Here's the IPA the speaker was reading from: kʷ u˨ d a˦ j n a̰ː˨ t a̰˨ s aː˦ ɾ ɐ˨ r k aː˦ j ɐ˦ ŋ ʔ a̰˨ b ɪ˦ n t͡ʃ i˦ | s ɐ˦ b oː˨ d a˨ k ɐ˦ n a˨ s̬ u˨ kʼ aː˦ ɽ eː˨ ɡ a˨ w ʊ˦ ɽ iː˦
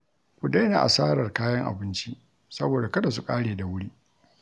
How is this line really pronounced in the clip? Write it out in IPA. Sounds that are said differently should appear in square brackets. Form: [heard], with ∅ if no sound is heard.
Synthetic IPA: kʷ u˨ d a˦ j n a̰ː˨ [ʔ] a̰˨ s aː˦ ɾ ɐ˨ r k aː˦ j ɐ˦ ŋ ʔ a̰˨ b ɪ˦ n t͡ʃ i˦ | s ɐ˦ b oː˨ d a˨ k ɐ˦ [d] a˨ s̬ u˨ kʼ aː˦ ɽ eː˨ [d] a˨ w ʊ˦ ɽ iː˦

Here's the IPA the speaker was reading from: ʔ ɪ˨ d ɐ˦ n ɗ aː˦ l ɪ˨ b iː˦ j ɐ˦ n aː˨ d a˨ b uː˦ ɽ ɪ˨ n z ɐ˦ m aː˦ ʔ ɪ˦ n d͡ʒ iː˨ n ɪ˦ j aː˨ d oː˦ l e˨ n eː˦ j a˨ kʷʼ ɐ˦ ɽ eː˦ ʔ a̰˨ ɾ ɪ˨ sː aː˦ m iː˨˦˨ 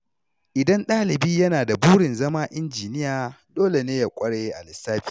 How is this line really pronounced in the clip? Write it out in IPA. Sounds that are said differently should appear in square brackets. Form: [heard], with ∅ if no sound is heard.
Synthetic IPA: ʔ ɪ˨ d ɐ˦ n ɗ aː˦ l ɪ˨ b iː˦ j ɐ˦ n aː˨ d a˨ b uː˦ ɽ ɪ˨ n z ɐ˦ m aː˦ ʔ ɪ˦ n d͡ʒ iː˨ n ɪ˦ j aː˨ d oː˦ l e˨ n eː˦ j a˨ kʷʼ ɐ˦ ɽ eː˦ ʔ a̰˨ [l] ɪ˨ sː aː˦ [b] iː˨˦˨

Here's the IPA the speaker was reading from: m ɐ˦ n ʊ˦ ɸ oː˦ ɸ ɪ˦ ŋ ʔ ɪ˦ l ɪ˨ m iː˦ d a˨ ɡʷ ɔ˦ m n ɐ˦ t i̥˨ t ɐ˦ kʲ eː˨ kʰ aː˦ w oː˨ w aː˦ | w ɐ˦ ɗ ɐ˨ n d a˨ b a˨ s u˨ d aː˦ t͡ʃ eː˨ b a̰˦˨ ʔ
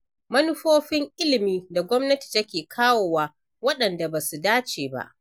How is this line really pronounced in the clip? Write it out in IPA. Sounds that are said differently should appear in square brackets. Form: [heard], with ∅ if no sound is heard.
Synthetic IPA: m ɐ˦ n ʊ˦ ɸ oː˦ ɸ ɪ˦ ŋ ʔ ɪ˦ l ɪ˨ m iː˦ d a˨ ɡʷ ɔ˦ m n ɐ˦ t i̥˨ t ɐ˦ kʲ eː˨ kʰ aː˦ w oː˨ w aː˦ | w ɐ˦ ɗ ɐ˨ n d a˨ b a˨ s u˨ d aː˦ t͡ʃ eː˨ b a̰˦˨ ʔ

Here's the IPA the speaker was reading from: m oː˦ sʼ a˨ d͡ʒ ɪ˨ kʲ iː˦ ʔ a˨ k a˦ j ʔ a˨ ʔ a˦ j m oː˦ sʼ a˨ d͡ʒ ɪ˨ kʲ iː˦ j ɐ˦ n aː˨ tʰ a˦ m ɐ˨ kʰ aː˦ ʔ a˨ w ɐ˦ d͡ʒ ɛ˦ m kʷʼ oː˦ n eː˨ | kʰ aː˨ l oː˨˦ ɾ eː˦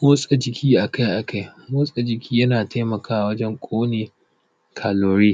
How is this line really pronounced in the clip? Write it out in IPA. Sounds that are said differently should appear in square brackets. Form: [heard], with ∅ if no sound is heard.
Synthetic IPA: m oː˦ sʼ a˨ d͡ʒ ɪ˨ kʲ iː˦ ʔ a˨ k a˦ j ʔ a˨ [k] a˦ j m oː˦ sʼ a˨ d͡ʒ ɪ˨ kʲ iː˦ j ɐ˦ n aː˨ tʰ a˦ m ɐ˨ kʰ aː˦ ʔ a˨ w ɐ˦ d͡ʒ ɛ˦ [ŋ] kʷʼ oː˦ n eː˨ | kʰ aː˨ l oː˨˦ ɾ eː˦

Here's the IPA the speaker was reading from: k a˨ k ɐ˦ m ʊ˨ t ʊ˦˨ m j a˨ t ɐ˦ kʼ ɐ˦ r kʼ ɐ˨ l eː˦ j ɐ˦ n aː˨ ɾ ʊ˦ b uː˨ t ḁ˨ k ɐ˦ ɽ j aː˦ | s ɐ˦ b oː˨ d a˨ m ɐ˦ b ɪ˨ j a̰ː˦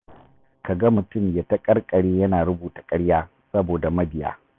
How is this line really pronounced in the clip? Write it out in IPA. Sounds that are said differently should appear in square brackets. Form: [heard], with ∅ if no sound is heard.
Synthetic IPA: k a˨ [ɡ] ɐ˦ m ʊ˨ t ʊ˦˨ m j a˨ t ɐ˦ kʼ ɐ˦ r kʼ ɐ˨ [ɽ] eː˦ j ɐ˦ n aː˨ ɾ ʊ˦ b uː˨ t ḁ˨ [kʼ] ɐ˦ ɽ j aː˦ | s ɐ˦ b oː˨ d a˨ m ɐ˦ b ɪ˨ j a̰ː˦

